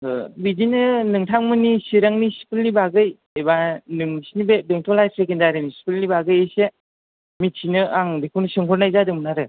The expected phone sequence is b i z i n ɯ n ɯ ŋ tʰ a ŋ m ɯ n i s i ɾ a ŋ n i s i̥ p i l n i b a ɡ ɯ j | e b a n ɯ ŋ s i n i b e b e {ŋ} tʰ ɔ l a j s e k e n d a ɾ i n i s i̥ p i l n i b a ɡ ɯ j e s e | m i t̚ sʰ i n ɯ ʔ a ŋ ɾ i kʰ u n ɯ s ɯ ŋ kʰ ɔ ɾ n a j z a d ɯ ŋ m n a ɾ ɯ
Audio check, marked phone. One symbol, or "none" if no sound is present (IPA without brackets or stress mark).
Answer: ŋ